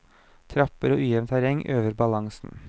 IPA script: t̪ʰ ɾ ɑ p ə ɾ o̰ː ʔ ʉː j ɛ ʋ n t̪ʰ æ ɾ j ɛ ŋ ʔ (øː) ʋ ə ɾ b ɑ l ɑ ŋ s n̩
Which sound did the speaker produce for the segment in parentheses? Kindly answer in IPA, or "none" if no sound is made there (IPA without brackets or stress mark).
øː